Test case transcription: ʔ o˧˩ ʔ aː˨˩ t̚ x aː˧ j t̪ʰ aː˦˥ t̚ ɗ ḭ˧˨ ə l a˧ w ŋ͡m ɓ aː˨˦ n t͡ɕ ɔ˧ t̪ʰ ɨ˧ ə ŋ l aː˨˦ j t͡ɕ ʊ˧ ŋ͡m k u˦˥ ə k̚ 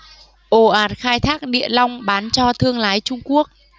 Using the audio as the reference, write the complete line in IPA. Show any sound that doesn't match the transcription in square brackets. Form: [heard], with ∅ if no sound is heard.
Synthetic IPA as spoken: ʔ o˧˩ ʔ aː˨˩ t̚ x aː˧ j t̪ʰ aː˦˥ [k̚] ɗ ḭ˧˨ ə l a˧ w ŋ͡m ɓ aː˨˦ n t͡ɕ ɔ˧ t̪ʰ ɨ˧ ə ŋ l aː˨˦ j t͡ɕ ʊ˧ ŋ͡m k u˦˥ ə k̚